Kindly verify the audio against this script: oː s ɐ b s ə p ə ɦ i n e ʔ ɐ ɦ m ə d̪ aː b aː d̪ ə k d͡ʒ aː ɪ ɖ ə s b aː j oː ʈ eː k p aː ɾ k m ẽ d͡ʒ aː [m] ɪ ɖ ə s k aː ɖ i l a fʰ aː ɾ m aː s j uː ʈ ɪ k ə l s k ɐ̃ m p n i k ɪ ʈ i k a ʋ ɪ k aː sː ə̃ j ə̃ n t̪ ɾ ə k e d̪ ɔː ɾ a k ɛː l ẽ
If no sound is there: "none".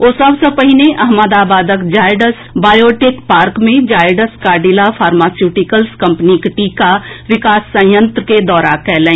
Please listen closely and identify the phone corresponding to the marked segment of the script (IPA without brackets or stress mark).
none